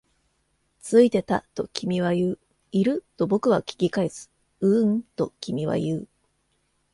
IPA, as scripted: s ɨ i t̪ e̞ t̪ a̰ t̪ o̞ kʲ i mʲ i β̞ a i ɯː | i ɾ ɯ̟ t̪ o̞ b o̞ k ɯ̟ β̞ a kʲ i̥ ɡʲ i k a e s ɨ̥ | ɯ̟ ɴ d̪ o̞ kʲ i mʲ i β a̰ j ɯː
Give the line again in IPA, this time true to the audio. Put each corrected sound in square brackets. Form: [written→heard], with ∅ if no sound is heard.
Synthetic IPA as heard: [s→t͡s] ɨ i t̪ e̞ t̪ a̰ t̪ o̞ kʲ i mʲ i β̞ a [i→j] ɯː | i ɾ ɯ̟ t̪ o̞ b o̞ k ɯ̟ β̞ a kʲ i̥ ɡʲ i k a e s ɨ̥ | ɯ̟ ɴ [d̪→t̪] o̞ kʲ i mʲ i β a̰ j ɯː